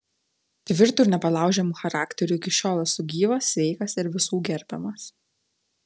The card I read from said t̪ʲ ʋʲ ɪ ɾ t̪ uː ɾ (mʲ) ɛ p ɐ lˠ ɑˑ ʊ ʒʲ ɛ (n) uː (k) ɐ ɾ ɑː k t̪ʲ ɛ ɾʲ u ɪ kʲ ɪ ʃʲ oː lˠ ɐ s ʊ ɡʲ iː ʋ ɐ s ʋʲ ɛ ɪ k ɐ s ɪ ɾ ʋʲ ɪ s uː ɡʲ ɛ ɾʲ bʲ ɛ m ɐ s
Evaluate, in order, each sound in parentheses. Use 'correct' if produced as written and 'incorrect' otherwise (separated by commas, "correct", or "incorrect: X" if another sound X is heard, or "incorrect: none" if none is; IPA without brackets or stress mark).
incorrect: nʲ, incorrect: m, incorrect: x